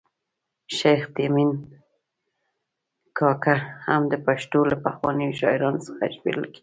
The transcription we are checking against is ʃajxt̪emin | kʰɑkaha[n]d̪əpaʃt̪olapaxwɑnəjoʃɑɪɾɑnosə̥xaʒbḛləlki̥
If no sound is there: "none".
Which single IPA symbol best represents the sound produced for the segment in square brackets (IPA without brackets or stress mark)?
m